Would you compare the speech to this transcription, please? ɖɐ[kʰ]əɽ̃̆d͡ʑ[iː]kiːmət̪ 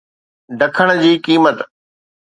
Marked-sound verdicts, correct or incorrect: correct, correct

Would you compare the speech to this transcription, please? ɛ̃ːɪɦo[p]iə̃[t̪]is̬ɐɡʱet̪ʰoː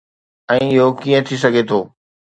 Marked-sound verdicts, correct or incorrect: incorrect, incorrect

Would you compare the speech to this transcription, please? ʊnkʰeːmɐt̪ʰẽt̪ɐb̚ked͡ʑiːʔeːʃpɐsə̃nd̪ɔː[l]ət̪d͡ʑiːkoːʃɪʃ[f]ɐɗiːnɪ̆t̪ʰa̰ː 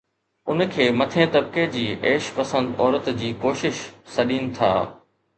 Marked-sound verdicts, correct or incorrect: incorrect, incorrect

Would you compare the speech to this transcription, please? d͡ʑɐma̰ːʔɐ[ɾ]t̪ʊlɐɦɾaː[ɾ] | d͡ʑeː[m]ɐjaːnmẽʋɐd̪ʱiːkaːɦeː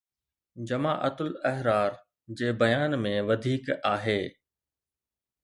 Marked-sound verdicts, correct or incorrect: incorrect, correct, incorrect

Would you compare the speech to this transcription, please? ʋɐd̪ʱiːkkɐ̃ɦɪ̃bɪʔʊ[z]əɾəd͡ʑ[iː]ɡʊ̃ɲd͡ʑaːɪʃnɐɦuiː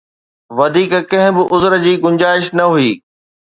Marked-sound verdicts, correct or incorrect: correct, correct

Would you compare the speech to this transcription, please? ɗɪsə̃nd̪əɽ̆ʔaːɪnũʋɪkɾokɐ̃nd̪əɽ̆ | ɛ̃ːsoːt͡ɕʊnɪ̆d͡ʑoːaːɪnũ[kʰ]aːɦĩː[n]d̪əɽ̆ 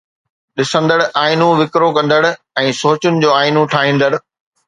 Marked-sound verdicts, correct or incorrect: incorrect, correct

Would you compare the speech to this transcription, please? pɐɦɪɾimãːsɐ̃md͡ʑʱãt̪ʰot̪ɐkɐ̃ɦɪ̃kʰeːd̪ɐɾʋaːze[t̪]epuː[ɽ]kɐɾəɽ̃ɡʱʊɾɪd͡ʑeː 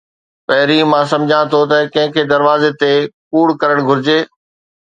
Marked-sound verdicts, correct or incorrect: correct, correct

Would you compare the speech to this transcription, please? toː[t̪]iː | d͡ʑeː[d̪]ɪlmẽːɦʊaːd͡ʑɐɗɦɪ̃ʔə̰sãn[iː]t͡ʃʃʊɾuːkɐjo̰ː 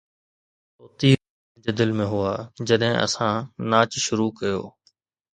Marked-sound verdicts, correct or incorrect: correct, correct, incorrect

